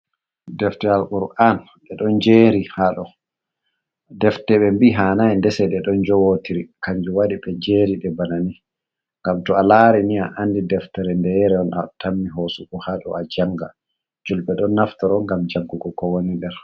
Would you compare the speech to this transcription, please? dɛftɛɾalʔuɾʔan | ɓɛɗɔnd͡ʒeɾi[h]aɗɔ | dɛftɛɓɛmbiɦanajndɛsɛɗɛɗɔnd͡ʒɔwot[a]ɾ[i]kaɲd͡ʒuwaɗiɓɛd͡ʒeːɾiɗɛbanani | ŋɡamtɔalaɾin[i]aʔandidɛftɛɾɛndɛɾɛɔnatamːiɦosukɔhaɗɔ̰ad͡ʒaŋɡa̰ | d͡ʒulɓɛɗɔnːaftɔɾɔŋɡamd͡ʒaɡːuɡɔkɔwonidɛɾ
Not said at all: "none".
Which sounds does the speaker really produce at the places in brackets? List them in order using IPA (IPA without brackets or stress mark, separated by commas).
h, i, i, i